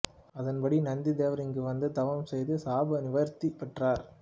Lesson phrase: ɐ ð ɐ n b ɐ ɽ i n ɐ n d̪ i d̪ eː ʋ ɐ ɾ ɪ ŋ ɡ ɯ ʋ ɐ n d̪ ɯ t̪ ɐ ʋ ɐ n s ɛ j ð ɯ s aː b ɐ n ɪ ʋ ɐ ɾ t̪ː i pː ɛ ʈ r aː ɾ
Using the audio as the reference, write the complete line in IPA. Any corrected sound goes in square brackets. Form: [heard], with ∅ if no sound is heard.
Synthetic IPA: ɐ ð ɐ n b ɐ ɽ i n ɐ n d̪ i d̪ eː ʋ ɐ ɾ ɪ ŋ ɡ ɯ ʋ ɐ n d̪ ɯ t̪ ɐ ʋ ɐ [m] s ɛ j ð ɯ s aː b ɐ n ɪ ʋ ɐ ɾ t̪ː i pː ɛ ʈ r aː ɾ

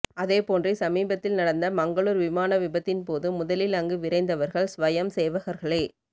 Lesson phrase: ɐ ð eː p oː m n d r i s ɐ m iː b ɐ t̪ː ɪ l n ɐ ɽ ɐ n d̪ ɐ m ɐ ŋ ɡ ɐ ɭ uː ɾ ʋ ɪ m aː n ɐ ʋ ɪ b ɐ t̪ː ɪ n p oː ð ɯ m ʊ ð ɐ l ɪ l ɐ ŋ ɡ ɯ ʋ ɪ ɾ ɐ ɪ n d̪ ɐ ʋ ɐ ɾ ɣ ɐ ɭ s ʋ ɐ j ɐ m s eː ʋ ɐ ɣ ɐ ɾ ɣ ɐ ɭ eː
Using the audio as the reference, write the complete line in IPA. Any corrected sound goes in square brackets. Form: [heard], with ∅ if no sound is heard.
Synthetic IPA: ɐ ð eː p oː [∅] n d r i s ɐ m iː b ɐ t̪ː ɪ l n ɐ ɽ ɐ n d̪ ɐ m ɐ ŋ ɡ ɐ ɭ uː ɾ ʋ ɪ m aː n ɐ ʋ ɪ b ɐ t̪ː ɪ n p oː ð ɯ m ʊ ð ɐ l ɪ l ɐ ŋ ɡ ɯ ʋ ɪ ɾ ɐ ɪ n d̪ ɐ ʋ ɐ ɾ ɣ ɐ ɭ s ʋ ɐ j ɐ m s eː ʋ ɐ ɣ ɐ ɾ ɣ ɐ ɭ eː

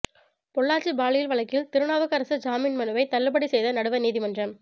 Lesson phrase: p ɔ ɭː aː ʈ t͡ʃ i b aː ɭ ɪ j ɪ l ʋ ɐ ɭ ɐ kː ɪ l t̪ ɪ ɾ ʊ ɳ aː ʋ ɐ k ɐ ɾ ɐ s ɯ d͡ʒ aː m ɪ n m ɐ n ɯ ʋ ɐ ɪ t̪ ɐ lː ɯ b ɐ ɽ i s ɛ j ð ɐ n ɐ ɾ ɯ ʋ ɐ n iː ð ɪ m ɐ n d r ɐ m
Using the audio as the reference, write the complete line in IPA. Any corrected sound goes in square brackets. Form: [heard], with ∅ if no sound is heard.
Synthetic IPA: p ɔ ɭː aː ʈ t͡ʃ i b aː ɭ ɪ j ɪ l ʋ ɐ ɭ ɐ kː ɪ l t̪ ɪ ɾ [ɯ] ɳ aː ʋ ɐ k ɐ ɾ ɐ s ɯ d͡ʒ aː m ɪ n m ɐ n ɯ ʋ ɐ ɪ t̪ ɐ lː ɯ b ɐ ɽ i s ɛ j ð ɐ n ɐ [ɽ] ɯ ʋ ɐ n iː ð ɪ m ɐ n d r ɐ m

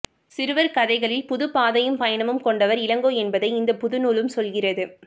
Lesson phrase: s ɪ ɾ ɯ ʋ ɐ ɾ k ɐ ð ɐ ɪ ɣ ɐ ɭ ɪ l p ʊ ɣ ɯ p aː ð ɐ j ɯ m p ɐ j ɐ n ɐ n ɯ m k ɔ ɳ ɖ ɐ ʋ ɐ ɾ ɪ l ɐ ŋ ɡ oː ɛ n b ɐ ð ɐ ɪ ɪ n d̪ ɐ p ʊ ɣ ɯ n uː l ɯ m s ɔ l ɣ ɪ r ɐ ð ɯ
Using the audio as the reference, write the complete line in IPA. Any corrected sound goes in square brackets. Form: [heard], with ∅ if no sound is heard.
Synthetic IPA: s ɪ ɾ ɯ ʋ ɐ ɾ k ɐ ð ɐ ɪ ɣ ɐ ɭ ɪ l p ʊ [ð] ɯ p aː ð ɐ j ɯ m p ɐ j ɐ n ɐ [m] ɯ m k ɔ ɳ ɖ ɐ ʋ ɐ ɾ ɪ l ɐ ŋ ɡ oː ɛ n b ɐ ð ɐ ɪ ɪ n d̪ ɐ p ʊ [ð] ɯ n uː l ɯ m s ɔ l ɣ ɪ r ɐ ð ɯ

